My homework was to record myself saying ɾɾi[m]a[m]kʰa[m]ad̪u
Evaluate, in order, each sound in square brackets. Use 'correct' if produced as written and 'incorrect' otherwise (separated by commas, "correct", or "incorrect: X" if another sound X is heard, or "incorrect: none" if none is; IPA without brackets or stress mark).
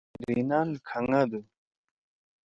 incorrect: n, incorrect: n, incorrect: ŋ